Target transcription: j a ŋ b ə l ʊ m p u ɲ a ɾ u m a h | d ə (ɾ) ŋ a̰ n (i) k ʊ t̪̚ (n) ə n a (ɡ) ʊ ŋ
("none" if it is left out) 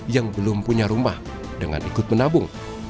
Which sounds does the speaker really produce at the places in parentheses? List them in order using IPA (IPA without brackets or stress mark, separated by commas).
none, i, m, b